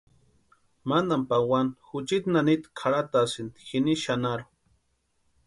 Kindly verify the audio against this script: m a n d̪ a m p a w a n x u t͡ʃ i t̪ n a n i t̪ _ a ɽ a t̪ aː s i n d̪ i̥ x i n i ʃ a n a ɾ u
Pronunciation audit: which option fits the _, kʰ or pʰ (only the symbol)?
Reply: kʰ